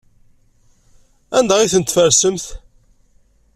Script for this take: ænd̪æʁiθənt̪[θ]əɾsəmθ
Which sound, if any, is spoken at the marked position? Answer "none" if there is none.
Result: f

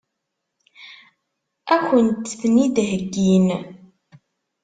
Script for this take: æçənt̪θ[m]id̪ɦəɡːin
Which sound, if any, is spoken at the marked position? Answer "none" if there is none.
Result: n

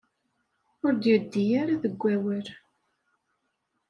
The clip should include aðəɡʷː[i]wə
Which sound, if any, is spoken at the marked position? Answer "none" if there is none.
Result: æ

